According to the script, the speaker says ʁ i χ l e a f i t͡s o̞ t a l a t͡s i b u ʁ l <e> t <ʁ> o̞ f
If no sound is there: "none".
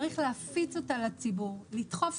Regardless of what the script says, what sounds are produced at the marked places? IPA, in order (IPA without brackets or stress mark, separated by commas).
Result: i, χ